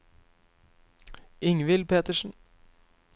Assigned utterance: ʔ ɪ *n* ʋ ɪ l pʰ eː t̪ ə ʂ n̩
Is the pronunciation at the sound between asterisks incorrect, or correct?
incorrect: ŋ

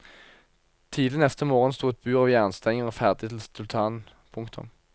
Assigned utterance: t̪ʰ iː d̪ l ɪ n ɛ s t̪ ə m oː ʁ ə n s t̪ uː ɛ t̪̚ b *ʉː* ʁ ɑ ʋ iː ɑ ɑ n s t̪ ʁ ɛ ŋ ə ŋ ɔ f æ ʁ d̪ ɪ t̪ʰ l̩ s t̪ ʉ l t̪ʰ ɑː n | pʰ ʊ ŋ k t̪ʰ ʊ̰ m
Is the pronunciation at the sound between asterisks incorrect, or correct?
correct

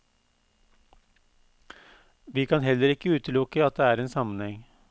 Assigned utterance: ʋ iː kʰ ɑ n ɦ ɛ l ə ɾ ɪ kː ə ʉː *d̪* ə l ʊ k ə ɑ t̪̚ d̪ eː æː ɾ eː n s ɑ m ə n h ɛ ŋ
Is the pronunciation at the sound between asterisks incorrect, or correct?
incorrect: t̪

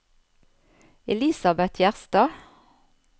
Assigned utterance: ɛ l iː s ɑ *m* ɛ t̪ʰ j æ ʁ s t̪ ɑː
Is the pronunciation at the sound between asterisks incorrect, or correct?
incorrect: b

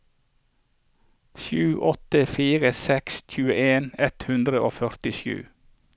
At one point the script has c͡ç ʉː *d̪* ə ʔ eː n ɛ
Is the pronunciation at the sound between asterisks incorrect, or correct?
incorrect: none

